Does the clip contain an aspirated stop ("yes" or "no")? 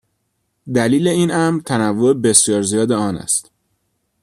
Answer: yes